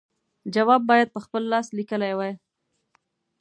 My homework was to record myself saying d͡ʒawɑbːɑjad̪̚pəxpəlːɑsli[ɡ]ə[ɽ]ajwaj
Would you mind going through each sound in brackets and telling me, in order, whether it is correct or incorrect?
incorrect: k, incorrect: l

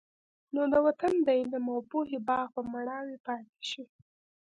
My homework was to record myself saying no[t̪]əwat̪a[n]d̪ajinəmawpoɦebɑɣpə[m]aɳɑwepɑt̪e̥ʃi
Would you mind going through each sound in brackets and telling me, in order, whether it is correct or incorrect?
incorrect: d̪, correct, correct

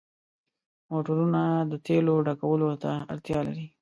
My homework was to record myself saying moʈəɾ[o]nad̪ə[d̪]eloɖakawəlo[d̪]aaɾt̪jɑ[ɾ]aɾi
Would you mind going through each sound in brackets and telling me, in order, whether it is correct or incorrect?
incorrect: u, incorrect: t̪, incorrect: t̪, incorrect: l

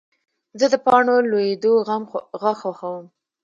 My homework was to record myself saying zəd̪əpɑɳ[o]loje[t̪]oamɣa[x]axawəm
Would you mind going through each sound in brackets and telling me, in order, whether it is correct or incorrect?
correct, incorrect: d̪, correct

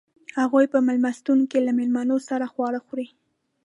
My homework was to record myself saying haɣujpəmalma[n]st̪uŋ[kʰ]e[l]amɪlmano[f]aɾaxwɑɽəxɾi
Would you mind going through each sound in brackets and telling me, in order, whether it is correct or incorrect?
incorrect: none, incorrect: k, correct, incorrect: s

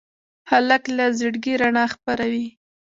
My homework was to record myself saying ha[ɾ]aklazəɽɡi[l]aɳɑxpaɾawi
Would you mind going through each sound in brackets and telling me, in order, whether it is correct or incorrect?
incorrect: l, incorrect: ɾ

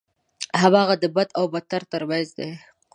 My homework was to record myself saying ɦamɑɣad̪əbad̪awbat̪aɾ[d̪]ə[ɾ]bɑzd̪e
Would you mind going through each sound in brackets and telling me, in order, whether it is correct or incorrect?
incorrect: t̪, correct

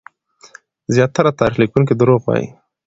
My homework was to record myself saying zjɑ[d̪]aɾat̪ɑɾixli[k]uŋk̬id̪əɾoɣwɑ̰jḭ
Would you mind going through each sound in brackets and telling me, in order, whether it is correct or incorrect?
incorrect: t̪, correct

